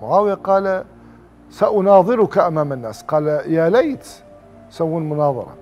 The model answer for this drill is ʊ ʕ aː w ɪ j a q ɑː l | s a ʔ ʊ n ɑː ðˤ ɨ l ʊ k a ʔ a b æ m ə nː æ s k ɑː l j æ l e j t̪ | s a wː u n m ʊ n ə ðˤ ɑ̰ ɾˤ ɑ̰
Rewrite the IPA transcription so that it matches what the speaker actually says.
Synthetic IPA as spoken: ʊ ʕ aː w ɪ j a q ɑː l | s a ʔ ʊ n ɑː ðˤ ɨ ɾ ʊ k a ʔ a m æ m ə nː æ s q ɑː l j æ l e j t̪ | s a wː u n m ʊ n ɑ ðˤ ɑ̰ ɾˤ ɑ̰